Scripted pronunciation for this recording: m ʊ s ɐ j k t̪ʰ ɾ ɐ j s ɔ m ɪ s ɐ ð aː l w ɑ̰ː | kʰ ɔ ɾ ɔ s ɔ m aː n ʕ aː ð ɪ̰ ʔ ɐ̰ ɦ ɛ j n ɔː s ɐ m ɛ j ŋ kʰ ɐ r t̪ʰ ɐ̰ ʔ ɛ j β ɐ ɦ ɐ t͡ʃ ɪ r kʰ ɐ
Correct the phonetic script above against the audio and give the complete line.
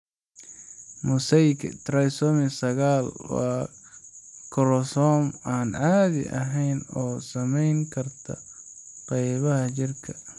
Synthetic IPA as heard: m ʊ s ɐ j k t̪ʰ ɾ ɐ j s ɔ m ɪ s ɐ ɣ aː l w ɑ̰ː | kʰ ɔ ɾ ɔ s ɔ m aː n ʕ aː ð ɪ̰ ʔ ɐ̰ ɦ ɛ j n ɔː s ɐ m ɛ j ŋ kʰ ɐ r t̪ʰ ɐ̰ q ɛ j β ɐ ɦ ɐ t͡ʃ ɪ r kʰ ɐ